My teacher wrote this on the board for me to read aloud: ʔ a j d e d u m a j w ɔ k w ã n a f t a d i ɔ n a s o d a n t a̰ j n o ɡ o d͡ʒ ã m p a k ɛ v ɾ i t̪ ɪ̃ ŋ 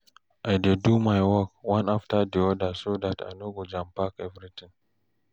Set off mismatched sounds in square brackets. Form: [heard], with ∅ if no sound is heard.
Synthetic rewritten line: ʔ a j d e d u m a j w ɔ k w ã n a f t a d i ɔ [d] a s o d a [∅] t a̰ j n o ɡ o d͡ʒ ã m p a k ɛ v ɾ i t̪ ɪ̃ ŋ